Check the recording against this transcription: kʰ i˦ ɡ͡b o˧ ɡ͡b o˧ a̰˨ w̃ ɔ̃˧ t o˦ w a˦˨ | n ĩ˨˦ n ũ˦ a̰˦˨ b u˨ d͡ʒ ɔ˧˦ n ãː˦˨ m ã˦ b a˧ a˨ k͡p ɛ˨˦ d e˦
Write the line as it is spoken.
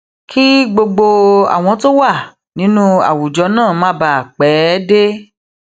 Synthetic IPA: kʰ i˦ ɡ͡b o˧ ɡ͡b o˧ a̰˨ w̃ ɔ̃˧ t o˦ w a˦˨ | n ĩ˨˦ n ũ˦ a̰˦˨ w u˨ d͡ʒ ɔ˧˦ n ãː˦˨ m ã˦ b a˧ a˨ k͡p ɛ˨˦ d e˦